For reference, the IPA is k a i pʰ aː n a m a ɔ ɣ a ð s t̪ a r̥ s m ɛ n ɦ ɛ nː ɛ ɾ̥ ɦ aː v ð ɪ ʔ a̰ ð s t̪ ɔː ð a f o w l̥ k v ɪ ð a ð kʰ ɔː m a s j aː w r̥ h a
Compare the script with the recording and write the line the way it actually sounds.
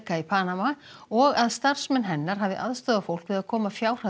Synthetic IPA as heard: k a i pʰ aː n a m a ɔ ɣ a ð s t̪ a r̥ s m ɛ n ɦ ɛ nː a ɾ̥ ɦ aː v ð ɪ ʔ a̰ ð s t̪ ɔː ð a f o w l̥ k v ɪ ð a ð kʰ ɔː m a f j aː w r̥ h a